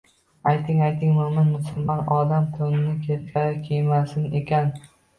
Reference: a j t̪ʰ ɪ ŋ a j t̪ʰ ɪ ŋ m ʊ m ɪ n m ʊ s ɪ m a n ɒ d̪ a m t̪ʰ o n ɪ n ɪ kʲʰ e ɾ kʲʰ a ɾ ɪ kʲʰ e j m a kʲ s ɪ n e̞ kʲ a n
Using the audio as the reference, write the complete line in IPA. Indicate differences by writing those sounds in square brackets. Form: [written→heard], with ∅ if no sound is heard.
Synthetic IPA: a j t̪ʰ ɪ ŋ a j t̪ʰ ɪ ŋ m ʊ m ɪ n m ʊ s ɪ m a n ɒ d̪ a m t̪ʰ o n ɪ n ɪ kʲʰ e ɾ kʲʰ a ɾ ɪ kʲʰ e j m a [kʲ→∅] s ɪ n e̞ kʲ a n